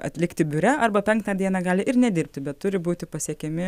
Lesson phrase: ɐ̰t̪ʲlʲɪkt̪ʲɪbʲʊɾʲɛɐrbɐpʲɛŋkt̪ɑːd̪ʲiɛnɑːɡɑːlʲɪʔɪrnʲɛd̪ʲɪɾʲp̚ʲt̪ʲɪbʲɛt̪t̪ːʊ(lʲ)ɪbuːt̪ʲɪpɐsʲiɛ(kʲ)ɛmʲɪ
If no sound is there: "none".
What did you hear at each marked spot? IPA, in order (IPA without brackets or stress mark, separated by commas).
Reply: ɾʲ, kʲ